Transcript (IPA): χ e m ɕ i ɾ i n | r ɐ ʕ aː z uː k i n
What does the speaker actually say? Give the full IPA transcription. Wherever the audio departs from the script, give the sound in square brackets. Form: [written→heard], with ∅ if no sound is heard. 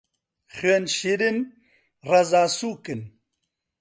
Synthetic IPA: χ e [m→n] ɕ i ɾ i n | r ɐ [ʕ→z] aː [z→s] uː k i n